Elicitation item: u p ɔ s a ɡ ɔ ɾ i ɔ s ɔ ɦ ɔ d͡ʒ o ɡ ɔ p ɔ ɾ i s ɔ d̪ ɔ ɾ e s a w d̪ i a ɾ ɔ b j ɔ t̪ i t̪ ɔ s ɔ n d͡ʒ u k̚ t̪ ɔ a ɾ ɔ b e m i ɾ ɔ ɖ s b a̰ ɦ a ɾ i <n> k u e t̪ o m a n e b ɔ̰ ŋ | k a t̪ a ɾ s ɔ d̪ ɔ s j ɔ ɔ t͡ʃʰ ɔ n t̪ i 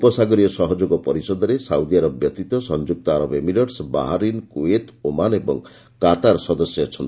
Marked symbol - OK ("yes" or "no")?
yes